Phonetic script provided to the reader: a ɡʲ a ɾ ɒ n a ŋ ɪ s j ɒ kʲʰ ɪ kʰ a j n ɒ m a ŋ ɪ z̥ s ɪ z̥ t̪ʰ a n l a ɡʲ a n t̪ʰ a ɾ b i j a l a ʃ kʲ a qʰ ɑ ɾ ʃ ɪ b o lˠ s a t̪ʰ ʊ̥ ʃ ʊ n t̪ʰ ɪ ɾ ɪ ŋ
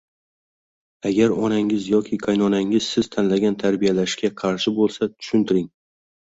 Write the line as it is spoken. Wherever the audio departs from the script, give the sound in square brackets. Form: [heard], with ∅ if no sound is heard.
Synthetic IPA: a ɡʲ a ɾ ɒ n a ŋ ɪ [z] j ɒ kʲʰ ɪ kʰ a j n ɒ [n] a ŋ ɪ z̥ s ɪ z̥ t̪ʰ a n l a ɡʲ a n t̪ʰ a ɾ b i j a l a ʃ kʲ a qʰ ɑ ɾ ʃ ɪ b o lˠ s a t̪ʰ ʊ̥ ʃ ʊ n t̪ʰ ɪ ɾ ɪ ŋ